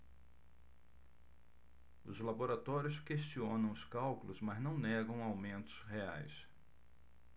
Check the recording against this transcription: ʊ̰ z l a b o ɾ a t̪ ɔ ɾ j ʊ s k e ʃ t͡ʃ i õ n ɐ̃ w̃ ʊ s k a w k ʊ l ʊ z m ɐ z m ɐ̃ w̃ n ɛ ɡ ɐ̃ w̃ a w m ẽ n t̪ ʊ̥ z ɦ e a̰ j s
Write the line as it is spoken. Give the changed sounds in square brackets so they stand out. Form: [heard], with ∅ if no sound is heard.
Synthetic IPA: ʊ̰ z l a b o ɾ a t̪ ɔ ɾ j ʊ s k e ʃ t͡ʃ i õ n ɐ̃ w̃ ʊ s k a w k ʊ l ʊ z m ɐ z [n] ɐ̃ w̃ n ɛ ɡ ɐ̃ w̃ a w m ẽ n t̪ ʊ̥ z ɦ e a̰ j s